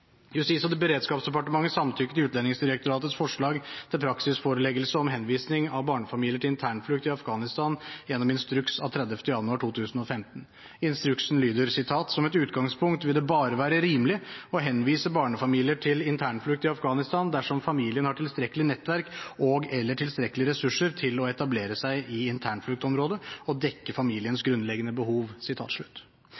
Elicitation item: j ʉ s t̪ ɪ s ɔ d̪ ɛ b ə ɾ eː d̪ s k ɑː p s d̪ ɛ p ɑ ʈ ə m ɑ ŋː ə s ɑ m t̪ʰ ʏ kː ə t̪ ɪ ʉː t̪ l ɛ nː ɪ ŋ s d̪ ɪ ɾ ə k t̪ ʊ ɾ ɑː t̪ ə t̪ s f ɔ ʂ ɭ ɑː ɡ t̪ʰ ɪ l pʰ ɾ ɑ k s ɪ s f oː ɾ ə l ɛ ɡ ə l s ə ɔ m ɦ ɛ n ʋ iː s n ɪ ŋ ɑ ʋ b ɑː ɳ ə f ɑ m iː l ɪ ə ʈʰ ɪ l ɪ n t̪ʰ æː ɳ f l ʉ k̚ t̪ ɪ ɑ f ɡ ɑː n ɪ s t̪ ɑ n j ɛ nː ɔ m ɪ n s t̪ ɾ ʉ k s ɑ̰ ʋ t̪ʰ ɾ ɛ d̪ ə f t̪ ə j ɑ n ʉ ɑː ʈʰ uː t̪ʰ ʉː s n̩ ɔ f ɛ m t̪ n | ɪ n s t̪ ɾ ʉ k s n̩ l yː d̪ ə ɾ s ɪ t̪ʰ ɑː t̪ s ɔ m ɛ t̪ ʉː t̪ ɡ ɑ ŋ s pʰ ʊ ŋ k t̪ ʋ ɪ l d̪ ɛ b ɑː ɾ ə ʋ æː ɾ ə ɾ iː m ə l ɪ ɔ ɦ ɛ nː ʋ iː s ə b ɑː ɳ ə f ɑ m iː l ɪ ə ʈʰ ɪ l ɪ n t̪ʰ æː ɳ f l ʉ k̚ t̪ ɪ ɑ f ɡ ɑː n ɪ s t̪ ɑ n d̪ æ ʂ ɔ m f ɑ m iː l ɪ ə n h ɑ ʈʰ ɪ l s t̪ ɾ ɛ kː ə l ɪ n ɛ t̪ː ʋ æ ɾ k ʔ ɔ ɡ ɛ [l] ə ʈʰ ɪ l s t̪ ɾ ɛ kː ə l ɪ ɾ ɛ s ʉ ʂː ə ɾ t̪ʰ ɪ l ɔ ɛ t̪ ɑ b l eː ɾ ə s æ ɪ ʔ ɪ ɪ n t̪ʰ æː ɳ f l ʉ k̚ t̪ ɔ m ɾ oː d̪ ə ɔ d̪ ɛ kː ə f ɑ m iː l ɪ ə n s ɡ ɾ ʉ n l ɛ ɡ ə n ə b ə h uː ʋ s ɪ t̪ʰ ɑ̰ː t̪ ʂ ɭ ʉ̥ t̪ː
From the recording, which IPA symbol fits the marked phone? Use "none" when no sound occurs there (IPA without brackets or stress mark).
lː